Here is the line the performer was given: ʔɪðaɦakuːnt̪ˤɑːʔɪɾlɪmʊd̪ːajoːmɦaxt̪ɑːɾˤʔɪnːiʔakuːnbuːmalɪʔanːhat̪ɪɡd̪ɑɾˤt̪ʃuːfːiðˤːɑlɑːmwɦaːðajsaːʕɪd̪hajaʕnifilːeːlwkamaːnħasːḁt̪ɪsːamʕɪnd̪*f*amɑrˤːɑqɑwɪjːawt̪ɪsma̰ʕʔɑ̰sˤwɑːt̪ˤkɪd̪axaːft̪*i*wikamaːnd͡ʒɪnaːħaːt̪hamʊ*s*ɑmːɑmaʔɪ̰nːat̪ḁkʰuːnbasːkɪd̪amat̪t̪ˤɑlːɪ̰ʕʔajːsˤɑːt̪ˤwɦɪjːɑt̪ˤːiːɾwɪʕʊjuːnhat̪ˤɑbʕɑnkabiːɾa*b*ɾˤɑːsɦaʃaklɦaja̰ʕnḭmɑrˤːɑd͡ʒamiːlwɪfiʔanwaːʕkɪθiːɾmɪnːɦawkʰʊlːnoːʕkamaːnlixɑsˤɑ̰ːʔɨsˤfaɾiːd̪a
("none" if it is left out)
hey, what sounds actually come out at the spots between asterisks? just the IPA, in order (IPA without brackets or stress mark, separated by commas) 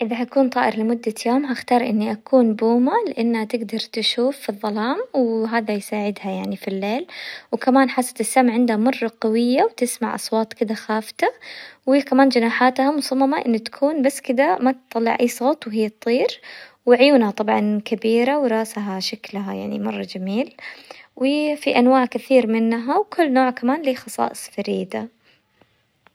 h, a, s, w